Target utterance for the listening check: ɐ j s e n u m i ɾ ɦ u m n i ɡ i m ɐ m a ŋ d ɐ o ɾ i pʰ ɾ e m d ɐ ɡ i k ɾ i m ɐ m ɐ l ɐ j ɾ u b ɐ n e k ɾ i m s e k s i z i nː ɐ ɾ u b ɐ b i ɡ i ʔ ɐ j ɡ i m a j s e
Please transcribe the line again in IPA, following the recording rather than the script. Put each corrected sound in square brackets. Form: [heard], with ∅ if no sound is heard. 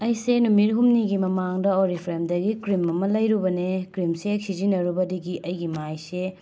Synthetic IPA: ɐ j s e n u m i ɾ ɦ u m n i ɡ i m ɐ m a ŋ d ɐ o ɾ i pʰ ɾ e m d ɐ ɡ i k ɾ i m ɐ m ɐ l ɐ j ɾ u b ɐ n e k ɾ i m s e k s i z i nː ɐ ɾ u b ɐ [d] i ɡ i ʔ ɐ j ɡ i m a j s e